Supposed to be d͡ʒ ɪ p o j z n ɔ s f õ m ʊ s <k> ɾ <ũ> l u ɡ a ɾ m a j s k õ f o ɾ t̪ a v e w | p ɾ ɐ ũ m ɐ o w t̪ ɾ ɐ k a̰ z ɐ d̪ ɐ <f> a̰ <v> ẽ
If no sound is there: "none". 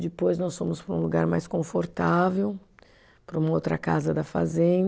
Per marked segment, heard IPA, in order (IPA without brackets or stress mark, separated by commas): p, ũ, f, z